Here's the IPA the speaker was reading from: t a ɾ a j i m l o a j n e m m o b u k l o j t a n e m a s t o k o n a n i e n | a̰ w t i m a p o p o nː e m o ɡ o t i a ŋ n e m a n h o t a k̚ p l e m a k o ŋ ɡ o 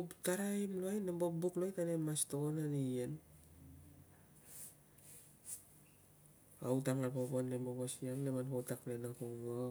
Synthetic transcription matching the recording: t a ɾ a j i m l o a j n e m b o b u k l o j t a n e m a s t o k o n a n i e n | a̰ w t a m a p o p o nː e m o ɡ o s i a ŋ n e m a n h o t a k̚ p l e n a k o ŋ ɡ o